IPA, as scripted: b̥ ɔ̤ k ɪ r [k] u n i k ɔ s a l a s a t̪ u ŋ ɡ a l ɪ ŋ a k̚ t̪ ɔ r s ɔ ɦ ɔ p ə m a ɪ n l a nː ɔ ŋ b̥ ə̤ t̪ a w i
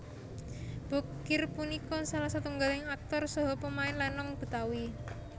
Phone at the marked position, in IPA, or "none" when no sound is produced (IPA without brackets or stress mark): p